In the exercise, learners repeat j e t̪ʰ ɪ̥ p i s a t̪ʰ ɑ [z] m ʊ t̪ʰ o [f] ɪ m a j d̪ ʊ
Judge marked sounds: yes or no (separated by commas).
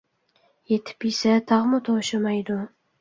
no, no